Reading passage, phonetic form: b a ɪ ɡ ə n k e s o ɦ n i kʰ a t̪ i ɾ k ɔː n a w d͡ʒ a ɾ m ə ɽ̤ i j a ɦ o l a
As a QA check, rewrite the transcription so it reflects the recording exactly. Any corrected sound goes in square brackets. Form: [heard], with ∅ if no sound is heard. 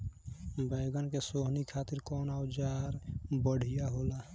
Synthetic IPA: b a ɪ ɡ ə n k e s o ɦ n i kʰ a t̪ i ɾ k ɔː n a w d͡ʒ a ɾ [b] ə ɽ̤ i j a ɦ o l a